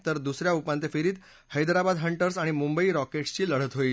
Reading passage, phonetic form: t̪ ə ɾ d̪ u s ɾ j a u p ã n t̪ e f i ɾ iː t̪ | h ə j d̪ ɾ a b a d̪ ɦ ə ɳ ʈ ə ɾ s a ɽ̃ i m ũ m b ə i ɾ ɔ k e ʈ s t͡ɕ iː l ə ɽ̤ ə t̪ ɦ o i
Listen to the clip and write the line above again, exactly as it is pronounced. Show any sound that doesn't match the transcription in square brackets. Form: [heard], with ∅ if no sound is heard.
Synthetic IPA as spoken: t̪ ə ɾ d̪ u s ɾ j a u p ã n t̪ e f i ɾ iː t̪ | h ə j d̪ ɾ a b a d̪ ɦ ə ɳ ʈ ə ɾ s a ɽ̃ i m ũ m b ə i ɾ ɔ k e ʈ s t͡ɕ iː l ə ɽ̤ ə t̪ ɦ o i